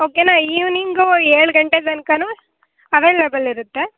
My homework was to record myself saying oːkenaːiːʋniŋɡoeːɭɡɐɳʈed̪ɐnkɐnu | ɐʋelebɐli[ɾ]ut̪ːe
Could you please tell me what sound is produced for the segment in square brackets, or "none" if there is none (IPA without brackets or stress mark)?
ɾ